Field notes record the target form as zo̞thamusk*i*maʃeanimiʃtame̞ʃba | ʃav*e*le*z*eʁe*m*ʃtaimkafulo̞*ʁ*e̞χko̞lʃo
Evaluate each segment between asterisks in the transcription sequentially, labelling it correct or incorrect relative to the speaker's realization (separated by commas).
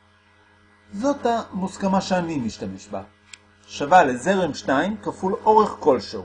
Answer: incorrect, incorrect, correct, correct, correct